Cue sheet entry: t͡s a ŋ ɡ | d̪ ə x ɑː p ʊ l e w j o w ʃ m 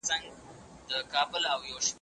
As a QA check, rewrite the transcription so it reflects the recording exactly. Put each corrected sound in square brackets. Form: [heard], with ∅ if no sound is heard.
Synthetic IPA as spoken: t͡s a ŋ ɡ | d̪ ə [k] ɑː [b] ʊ l [a] w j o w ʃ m